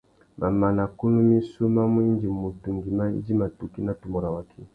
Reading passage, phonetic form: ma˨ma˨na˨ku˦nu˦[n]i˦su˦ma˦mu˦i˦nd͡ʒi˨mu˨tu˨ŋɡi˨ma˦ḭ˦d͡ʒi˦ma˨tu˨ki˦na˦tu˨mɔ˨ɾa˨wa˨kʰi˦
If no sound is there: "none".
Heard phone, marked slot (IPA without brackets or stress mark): m